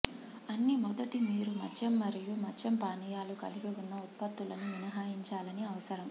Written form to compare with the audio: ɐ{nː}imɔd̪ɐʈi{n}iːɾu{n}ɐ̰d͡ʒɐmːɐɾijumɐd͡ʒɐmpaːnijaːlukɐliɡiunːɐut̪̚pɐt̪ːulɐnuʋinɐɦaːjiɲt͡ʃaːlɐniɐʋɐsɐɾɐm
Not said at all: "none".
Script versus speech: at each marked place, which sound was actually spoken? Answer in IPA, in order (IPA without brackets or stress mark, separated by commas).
nː, m, m